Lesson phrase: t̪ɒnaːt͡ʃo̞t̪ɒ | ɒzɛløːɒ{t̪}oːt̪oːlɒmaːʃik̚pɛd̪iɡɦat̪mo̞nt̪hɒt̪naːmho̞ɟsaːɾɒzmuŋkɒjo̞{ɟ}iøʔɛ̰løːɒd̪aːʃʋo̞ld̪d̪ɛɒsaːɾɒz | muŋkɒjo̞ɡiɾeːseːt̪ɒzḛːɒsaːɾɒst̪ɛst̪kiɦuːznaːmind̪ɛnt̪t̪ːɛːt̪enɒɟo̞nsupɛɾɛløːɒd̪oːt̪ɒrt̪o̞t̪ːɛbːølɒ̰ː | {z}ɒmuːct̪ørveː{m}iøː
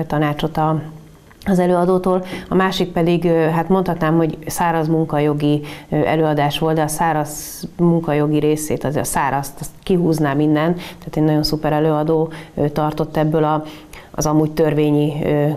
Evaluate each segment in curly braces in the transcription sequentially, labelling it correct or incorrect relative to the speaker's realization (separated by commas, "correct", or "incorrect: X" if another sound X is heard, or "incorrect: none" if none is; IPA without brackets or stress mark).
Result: incorrect: d̪, incorrect: ɡ, correct, incorrect: ɲ